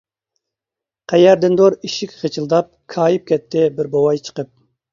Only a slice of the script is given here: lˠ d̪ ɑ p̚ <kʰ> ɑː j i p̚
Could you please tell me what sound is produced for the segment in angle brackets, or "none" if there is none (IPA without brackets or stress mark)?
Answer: kʰ